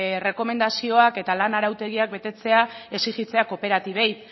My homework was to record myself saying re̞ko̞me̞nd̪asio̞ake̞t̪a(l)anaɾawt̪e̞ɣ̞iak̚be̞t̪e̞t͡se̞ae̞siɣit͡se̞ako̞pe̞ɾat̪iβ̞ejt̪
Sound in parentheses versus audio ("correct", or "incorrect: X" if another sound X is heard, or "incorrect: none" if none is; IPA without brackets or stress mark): correct